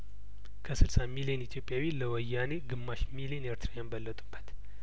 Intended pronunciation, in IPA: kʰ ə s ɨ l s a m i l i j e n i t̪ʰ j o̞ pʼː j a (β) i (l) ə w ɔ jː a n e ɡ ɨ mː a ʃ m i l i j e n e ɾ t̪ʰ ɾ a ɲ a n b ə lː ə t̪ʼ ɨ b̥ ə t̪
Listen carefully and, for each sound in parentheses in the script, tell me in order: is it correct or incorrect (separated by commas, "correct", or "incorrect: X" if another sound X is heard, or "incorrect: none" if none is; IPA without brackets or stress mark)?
incorrect: w, correct